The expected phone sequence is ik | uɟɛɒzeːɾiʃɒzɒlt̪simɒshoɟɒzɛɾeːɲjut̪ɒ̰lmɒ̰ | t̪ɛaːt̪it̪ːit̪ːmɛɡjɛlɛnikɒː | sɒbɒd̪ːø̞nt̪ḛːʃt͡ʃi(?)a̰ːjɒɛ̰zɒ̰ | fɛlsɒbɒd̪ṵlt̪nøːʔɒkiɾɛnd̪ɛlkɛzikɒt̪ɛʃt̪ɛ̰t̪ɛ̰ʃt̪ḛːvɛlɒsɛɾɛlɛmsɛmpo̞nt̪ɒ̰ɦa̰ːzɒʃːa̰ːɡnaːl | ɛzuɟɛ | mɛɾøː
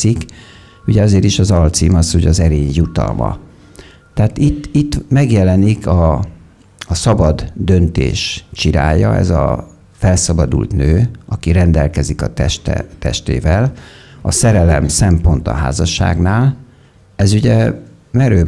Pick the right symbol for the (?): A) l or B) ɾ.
B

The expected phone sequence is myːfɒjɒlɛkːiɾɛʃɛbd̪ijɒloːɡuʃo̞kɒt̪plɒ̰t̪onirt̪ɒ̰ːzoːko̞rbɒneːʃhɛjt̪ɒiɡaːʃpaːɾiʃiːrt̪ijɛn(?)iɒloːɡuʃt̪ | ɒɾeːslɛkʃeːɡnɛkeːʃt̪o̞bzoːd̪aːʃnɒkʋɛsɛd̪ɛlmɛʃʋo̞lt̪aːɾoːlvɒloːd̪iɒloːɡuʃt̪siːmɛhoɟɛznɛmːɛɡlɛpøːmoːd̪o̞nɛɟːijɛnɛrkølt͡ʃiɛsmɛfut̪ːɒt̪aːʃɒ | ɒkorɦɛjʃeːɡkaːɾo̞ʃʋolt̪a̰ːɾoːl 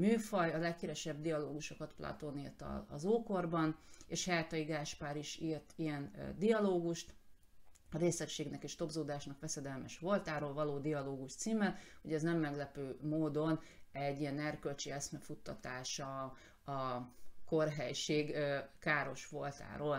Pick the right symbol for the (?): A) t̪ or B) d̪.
B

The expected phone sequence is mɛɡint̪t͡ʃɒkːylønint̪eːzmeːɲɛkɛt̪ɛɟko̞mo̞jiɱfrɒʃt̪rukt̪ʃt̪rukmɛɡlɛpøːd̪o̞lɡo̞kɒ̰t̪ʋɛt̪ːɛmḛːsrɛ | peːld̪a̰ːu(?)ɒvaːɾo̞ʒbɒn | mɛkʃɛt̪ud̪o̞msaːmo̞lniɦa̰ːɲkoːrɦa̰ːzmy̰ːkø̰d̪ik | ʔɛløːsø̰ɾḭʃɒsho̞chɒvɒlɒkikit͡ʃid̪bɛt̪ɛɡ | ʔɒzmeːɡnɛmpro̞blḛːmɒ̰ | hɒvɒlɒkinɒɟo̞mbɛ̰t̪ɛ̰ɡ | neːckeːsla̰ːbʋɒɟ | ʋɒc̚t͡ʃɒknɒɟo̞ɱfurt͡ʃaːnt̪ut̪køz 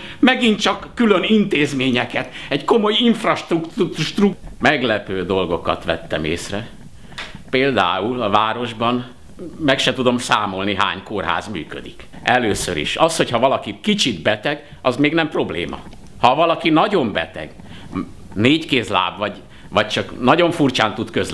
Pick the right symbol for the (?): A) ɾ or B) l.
B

